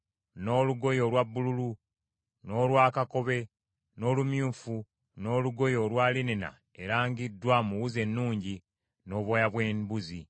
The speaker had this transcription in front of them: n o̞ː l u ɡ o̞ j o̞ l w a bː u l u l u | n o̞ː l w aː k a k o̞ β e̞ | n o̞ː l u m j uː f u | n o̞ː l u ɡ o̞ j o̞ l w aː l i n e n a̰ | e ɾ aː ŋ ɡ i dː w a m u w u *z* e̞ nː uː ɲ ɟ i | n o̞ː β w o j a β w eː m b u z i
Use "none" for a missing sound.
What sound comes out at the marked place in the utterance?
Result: z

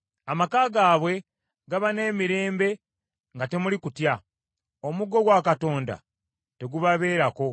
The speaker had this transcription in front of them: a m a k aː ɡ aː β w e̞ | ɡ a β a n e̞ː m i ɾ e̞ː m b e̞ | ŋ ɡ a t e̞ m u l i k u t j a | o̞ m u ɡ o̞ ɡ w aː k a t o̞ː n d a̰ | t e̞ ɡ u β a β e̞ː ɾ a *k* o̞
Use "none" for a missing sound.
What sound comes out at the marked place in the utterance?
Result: k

